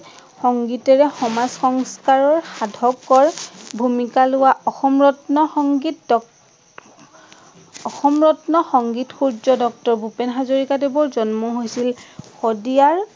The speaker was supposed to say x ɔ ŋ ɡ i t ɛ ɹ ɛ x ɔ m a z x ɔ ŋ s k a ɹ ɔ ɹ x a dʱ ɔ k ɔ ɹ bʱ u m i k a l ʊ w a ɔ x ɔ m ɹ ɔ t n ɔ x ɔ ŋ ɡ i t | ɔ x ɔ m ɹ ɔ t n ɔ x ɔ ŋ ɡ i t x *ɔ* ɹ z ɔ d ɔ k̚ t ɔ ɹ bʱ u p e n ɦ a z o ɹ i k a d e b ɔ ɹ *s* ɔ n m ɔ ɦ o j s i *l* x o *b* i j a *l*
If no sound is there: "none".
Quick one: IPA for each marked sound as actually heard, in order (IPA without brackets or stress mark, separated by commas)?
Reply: u, z, l, d, ɹ